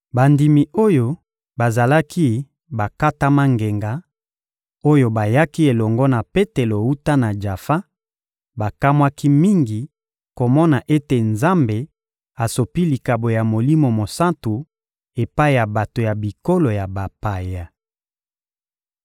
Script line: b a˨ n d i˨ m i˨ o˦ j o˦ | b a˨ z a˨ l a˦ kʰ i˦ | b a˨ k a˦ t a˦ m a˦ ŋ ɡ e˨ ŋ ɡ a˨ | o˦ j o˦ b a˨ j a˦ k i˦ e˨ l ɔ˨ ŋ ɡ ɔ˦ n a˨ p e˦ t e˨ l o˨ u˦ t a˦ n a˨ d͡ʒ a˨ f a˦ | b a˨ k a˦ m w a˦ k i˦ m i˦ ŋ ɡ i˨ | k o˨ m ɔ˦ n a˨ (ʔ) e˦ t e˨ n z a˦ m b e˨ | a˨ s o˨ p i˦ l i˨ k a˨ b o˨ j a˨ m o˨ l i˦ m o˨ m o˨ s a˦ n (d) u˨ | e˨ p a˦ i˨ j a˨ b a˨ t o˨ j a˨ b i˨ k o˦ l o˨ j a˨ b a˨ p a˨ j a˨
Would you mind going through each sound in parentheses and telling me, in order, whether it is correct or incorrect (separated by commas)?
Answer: correct, incorrect